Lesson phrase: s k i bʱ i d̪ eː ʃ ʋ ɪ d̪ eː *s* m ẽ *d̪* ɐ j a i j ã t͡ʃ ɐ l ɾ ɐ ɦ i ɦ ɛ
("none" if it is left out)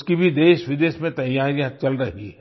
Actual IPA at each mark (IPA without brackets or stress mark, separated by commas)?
ʃ, t̪